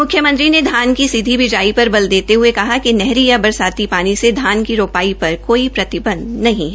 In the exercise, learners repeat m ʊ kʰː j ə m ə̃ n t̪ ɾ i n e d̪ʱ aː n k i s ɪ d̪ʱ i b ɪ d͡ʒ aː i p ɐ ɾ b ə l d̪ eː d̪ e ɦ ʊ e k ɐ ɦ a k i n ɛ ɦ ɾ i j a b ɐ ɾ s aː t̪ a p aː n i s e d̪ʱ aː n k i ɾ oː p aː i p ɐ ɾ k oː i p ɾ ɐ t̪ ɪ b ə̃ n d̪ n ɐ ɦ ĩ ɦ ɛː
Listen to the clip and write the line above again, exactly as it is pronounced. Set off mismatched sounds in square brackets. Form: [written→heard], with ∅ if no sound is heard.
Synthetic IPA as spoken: m ʊ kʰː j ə m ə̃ n t̪ ɾ i n e d̪ʱ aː n k i s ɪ d̪ʱ i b ɪ d͡ʒ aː i p ɐ ɾ b [ə→ɐ] l d̪ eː [d̪→t̪] e ɦ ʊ e k ɐ ɦ a k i n ɛ ɦ ɾ i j a b ɐ ɾ s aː t̪ [a→i] p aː n i s e d̪ʱ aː n k i ɾ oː p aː i p ɐ ɾ k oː i p ɾ ɐ t̪ ɪ b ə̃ n d̪ n ɐ ɦ ĩ ɦ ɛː